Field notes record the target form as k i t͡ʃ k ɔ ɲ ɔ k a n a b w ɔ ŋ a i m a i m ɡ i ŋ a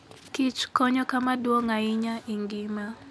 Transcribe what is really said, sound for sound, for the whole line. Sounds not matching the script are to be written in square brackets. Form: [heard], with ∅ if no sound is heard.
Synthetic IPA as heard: k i t͡ʃ k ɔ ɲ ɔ k a [m] a [d] w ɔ ŋ a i [ɲ] a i [ŋ] ɡ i [m] a